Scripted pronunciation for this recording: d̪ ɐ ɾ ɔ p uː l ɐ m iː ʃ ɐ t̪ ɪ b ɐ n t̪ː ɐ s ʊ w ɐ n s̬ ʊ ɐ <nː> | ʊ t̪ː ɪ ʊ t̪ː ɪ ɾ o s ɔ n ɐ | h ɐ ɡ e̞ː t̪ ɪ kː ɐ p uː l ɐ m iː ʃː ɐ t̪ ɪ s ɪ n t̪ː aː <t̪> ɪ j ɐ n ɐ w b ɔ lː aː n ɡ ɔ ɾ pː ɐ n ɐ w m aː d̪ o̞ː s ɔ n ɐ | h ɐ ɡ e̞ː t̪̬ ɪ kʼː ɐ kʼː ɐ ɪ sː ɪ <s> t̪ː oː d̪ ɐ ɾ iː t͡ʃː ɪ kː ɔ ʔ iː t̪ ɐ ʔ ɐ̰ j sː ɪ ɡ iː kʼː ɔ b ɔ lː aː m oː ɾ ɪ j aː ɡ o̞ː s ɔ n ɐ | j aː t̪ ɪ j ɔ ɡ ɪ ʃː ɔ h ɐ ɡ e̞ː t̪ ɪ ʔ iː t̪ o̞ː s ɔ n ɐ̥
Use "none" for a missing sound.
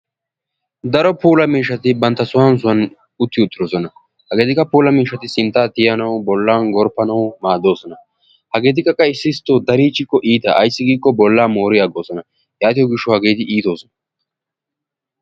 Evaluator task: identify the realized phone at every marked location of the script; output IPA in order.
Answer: n, t̪, s

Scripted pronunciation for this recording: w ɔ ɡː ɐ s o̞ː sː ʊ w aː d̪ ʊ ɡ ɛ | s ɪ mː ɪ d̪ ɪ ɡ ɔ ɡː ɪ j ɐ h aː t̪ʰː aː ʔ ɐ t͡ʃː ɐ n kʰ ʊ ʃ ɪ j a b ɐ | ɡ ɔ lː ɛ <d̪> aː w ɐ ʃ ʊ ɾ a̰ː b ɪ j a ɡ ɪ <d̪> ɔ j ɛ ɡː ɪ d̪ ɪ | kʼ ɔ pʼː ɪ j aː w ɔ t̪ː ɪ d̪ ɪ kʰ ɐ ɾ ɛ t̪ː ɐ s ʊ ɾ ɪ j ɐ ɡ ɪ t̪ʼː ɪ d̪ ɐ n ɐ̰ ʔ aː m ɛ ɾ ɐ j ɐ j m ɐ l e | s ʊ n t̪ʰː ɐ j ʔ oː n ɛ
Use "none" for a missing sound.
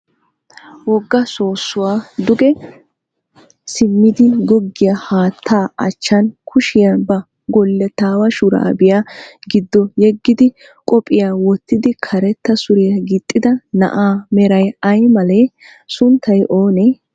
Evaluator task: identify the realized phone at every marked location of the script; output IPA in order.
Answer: t̪, d̪ː

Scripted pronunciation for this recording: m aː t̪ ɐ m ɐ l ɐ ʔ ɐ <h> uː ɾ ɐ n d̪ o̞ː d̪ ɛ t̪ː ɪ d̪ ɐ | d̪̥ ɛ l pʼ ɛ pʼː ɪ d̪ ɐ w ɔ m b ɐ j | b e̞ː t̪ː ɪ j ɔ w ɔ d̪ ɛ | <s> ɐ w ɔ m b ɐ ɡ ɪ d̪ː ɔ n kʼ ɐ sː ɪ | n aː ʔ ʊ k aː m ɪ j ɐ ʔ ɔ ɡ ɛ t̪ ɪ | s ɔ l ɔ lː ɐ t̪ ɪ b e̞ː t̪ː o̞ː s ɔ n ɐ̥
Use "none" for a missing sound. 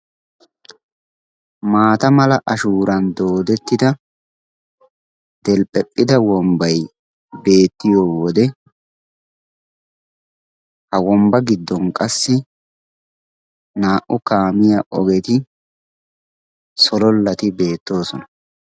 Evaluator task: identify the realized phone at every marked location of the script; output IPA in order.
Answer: ʃ, h

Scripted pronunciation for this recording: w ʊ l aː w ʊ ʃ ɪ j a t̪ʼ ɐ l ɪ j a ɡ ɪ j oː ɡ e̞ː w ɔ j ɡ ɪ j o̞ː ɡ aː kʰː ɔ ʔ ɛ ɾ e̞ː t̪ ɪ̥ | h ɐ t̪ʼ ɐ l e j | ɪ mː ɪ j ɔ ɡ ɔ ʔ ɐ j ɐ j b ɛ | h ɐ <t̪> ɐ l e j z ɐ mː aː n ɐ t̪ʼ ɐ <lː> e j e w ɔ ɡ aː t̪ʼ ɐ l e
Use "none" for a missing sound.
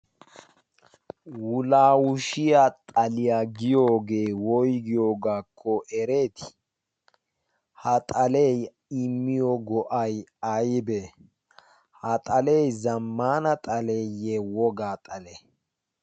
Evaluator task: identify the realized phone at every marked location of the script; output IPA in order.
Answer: t̪ʼ, l

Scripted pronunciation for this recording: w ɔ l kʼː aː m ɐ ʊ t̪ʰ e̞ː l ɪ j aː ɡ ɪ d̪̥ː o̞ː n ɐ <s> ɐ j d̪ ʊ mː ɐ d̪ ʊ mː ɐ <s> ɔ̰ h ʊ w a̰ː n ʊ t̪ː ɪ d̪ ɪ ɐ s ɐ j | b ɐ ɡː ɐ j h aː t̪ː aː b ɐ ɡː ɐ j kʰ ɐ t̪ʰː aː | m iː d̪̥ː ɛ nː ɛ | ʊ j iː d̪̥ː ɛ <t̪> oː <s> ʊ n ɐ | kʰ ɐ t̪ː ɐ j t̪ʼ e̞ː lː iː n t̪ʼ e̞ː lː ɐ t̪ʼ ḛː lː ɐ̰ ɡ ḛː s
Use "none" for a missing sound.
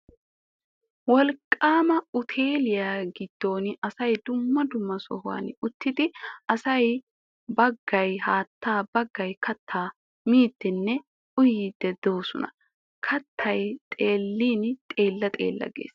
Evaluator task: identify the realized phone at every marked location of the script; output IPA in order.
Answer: s, s, d̪, s

